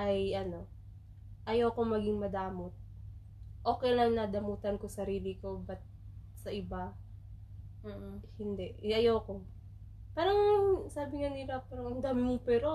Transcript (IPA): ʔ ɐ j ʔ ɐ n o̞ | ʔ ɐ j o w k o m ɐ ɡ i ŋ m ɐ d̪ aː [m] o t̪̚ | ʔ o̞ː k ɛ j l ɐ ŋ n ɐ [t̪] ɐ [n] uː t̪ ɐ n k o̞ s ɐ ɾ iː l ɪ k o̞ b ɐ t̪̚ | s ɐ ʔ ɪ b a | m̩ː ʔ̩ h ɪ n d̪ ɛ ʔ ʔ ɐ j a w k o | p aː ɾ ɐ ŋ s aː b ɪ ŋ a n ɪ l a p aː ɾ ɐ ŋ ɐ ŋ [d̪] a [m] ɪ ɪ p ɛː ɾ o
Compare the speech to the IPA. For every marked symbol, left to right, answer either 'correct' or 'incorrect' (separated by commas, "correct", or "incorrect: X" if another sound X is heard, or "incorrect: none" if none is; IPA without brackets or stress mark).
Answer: correct, incorrect: d̪, incorrect: m, correct, correct